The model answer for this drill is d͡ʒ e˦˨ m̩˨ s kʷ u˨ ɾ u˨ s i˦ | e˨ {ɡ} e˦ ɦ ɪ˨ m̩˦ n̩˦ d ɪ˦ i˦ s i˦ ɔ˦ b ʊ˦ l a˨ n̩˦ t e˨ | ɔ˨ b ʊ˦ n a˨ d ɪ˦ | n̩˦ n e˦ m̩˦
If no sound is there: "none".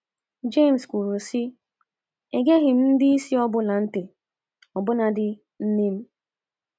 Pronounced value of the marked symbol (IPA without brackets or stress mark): ɡ